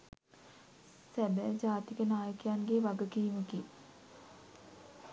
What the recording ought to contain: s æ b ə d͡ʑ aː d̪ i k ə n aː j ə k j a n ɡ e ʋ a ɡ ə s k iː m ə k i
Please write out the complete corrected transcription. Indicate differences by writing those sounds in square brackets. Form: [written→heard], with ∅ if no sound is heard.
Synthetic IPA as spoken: s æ b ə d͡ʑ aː [d̪→t̪] i k ə n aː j ə k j a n ɡ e ʋ a ɡ ə [s→∅] k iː m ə k i